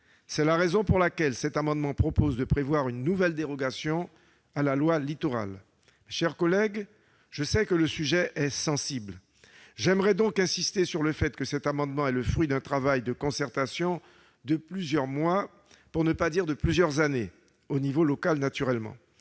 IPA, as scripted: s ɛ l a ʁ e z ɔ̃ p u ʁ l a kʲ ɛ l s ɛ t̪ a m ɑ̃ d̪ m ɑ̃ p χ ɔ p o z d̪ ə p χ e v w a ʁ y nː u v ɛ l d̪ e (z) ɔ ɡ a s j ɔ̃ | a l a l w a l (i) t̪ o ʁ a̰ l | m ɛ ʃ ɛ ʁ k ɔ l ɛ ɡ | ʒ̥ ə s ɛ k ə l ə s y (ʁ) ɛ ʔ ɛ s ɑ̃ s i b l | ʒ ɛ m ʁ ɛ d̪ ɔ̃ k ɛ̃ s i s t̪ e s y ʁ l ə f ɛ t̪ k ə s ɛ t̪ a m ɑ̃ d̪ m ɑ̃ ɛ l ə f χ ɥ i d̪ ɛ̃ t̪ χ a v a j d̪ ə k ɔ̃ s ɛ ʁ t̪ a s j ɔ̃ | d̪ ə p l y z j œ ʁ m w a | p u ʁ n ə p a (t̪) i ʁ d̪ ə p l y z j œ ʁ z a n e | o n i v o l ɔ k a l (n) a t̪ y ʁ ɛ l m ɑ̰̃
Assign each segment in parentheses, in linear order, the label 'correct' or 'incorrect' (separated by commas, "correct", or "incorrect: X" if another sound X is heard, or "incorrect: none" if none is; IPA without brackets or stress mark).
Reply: incorrect: ʁ, correct, incorrect: ʒ, incorrect: d̪, correct